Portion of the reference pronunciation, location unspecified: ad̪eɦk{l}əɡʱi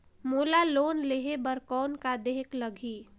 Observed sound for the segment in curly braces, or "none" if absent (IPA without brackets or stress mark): l